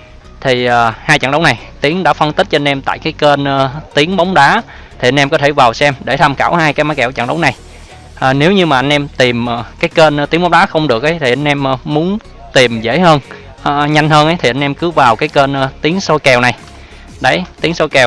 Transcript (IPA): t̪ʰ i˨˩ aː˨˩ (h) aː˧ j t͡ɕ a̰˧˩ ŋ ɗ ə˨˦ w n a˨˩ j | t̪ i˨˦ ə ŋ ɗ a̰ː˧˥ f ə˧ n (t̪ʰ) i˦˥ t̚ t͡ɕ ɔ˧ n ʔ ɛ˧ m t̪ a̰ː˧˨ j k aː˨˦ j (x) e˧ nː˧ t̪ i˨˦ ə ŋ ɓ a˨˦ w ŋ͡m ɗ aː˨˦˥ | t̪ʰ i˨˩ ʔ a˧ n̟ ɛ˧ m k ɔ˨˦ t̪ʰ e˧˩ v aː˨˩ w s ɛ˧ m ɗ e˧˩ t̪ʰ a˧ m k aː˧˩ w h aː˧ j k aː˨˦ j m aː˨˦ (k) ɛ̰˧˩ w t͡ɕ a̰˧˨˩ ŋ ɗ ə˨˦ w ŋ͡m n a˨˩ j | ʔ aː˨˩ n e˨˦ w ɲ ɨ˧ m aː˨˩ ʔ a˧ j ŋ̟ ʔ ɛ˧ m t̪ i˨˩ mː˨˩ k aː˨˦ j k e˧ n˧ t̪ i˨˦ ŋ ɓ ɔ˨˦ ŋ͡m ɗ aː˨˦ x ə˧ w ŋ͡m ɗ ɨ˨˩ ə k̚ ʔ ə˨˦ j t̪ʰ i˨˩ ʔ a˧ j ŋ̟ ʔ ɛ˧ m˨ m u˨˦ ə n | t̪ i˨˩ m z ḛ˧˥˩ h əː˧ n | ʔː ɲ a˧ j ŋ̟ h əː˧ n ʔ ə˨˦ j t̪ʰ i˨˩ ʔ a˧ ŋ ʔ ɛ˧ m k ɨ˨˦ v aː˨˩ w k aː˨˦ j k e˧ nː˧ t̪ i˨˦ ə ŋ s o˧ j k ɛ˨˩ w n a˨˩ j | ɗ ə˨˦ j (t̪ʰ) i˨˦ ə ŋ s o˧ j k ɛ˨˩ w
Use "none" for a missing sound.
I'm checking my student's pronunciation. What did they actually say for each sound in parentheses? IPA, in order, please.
h, t̪, k, k, t̪

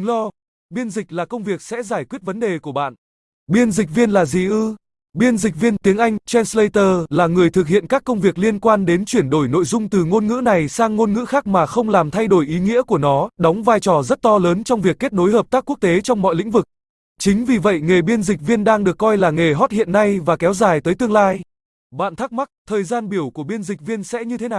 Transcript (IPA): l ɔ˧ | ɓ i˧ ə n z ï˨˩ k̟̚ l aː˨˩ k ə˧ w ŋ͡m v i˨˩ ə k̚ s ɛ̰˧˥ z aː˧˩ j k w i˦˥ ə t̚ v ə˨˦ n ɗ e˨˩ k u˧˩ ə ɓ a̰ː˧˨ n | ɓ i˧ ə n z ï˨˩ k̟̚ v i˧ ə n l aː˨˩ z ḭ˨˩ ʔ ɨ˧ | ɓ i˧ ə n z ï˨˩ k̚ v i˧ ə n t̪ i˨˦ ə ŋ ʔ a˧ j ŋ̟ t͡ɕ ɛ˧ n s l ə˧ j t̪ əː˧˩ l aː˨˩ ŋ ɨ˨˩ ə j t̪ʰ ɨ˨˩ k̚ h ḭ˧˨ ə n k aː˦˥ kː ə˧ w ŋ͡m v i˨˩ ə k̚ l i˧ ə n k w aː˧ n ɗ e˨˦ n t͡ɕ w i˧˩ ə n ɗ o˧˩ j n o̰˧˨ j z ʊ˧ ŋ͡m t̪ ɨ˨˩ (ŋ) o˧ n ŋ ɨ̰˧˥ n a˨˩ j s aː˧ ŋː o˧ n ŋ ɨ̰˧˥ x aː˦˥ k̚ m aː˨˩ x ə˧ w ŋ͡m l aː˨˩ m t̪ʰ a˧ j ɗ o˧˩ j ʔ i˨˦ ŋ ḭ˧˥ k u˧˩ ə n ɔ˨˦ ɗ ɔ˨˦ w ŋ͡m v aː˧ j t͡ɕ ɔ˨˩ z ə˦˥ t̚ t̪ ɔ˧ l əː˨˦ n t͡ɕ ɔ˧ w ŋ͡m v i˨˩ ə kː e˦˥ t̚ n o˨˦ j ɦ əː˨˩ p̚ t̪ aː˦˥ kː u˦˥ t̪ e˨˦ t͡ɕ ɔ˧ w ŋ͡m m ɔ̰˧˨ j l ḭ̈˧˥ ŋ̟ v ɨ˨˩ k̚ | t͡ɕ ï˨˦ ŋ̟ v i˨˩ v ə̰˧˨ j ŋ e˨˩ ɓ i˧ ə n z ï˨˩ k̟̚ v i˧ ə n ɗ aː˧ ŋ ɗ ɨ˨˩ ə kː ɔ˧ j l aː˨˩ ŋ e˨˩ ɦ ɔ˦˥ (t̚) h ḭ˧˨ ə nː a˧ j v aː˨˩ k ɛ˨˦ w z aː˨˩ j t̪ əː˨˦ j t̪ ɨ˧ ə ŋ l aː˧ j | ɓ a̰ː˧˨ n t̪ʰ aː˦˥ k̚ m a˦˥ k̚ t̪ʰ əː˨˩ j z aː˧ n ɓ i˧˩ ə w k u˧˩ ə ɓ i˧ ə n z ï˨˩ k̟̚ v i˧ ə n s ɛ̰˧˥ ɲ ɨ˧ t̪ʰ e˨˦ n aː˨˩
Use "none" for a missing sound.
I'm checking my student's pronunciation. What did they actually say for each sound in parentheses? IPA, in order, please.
ŋ, t̚

